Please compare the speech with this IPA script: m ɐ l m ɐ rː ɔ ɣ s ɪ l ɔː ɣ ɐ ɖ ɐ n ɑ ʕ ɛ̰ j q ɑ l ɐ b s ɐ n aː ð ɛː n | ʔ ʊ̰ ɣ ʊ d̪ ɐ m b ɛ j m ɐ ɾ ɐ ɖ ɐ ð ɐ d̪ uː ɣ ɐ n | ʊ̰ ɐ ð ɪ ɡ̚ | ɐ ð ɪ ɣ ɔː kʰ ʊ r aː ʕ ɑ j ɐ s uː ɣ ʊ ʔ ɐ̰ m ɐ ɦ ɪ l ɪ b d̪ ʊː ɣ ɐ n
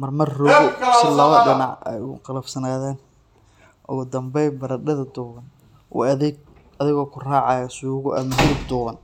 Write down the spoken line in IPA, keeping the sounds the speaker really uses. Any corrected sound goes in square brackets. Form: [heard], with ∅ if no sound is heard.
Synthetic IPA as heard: m ɐ [r] m ɐ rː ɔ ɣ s ɪ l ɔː ɣ ɐ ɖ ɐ n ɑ ʕ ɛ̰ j q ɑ l ɐ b s ɐ n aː ð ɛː n | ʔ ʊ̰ ɣ ʊ d̪ ɐ m b ɛ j [b] ɐ ɾ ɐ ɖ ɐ ð ɐ d̪ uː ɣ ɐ n | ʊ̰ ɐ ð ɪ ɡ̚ | ɐ ð ɪ ɣ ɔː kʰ ʊ r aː ʕ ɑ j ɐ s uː ɣ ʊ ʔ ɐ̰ m ɐ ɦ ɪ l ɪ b d̪ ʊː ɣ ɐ n